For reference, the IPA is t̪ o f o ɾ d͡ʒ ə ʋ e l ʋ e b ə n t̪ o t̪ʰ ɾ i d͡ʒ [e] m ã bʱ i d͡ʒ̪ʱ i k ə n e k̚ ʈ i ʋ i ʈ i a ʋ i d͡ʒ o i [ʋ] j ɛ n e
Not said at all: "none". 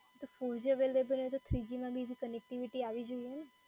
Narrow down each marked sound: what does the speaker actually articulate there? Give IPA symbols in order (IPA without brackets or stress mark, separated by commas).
i, none